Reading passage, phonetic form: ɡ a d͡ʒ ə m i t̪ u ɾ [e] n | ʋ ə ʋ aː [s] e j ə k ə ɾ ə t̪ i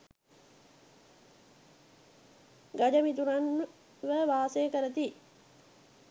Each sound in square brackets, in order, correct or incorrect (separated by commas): incorrect, correct